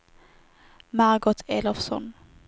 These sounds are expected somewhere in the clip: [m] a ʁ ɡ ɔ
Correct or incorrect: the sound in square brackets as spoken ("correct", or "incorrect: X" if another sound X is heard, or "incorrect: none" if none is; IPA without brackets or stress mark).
correct